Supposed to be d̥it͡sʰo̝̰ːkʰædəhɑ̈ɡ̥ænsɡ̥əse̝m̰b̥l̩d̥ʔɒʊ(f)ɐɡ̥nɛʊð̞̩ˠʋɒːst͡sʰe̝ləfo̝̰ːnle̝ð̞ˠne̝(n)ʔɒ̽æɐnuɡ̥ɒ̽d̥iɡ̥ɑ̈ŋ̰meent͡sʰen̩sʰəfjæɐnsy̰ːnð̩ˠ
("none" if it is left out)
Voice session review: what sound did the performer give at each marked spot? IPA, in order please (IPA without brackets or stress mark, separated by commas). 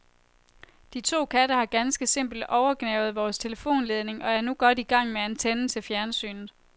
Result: none, ŋ